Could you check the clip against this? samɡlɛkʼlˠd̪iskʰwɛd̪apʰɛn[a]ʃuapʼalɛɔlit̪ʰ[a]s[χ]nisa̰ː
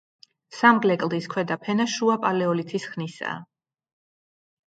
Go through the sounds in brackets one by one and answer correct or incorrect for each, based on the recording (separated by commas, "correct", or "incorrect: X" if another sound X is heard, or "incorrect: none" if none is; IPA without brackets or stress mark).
correct, incorrect: i, correct